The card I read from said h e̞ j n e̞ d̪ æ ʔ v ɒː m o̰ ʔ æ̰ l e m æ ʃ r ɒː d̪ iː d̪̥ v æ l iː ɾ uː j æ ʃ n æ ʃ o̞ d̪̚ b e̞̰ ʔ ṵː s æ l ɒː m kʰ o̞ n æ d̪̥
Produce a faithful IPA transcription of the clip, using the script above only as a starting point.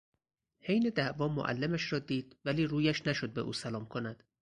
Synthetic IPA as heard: h e̞ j n e̞ d̪ æ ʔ v ɒː m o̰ ʔ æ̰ lː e m æ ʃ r ɒː d̪ iː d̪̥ v æ l iː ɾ uː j æ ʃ n æ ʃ o̞ d̪̚ b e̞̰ ʔ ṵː s æ l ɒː m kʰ o̞ n æ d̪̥

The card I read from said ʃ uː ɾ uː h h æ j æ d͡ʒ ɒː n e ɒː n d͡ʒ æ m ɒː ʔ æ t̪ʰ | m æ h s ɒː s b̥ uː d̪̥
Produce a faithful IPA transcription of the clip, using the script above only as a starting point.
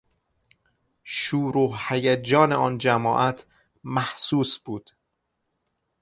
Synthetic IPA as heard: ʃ uː ɾ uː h h æ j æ d͡ʒ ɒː n e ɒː n d͡ʒ æ m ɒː ʔ æ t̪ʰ | m æ h s uː s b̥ uː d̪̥

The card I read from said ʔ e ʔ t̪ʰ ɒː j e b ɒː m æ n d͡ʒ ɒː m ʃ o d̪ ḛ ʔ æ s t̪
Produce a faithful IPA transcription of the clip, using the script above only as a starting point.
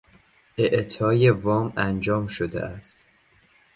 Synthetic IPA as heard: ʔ e ʔ t̪ʰ ɒː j e v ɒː m æ n d͡ʒ ɒː m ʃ o d̪ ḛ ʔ æ s t̪

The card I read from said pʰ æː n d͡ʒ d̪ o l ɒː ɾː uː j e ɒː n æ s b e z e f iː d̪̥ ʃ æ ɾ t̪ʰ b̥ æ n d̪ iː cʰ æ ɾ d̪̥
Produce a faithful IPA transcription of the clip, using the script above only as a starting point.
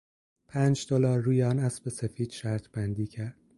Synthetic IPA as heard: pʰ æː n d͡ʒ d̪ o l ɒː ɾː uː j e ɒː n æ s b e s e f iː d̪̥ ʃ æ ɾ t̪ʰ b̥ æ n d̪ iː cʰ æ ɾ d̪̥

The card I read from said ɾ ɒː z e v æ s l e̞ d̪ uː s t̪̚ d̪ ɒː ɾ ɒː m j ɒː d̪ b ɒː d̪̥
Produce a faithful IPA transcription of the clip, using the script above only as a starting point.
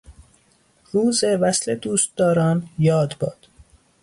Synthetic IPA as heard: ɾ uː z e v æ s l e̞ d̪ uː s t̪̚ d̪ ɒː ɾ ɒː n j ɒː d̪ b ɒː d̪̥

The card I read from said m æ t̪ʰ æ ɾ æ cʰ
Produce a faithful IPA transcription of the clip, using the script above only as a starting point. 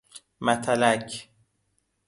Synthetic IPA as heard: m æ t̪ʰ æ l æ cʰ

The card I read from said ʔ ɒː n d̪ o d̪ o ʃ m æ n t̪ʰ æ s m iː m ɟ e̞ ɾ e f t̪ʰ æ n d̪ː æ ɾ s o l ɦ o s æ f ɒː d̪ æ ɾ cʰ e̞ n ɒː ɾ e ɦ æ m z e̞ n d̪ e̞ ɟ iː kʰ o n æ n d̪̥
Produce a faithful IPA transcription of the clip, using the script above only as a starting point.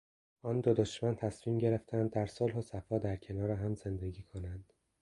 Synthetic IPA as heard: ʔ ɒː n d̪ o d̪ o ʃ m æ n t̪ʰ æ s m iː m ɟ e̞ ɾ e f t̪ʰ æ n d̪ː æ ɾ s o l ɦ o s æ f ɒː d̪ æ ɾ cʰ e̞ n ɒː ɾ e ɦ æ m z e̞ n d̪ e̞ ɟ iː kʰ o n æ n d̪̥

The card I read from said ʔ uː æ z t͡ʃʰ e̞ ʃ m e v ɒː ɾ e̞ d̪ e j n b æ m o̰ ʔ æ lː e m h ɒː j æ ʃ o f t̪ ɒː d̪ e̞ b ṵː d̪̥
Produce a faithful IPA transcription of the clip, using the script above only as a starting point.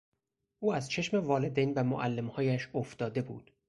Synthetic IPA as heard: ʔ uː æ z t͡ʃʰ e̞ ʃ m e v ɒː l e̞ d̪ e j n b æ m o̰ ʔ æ lː e m h ɒː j æ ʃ o f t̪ ɒː d̪ e̞ b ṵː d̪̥

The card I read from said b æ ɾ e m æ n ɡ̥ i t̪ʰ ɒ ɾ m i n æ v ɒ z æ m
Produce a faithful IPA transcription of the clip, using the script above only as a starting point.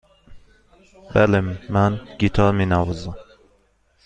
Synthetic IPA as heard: b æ l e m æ n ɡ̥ i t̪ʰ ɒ ɾ m i n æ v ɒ z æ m

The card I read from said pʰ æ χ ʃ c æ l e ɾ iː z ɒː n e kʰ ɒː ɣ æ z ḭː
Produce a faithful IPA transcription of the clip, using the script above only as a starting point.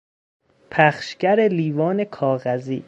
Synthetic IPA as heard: pʰ æ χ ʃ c æ ɾ e l iː v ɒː n e kʰ ɒː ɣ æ z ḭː

